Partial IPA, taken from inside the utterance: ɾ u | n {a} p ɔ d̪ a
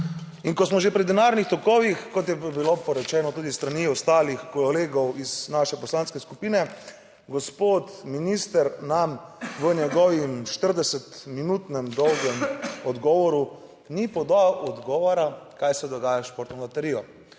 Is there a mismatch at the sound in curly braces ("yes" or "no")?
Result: yes